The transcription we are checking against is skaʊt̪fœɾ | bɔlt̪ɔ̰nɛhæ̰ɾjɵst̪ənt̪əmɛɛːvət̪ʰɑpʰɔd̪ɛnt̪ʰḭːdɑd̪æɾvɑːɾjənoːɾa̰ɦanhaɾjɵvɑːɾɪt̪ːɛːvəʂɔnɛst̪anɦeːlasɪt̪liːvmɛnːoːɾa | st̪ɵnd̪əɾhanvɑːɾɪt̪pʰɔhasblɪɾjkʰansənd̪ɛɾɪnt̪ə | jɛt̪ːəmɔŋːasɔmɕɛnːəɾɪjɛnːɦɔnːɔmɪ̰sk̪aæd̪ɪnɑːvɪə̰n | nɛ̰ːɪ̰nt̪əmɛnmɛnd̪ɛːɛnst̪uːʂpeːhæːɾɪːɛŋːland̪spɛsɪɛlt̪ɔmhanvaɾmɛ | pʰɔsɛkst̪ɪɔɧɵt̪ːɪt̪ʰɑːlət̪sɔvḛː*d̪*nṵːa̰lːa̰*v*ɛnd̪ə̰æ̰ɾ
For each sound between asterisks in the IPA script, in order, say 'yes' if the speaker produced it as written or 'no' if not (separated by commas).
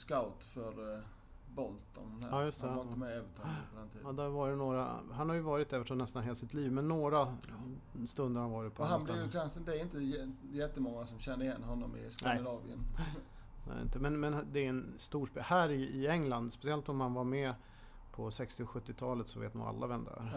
no, yes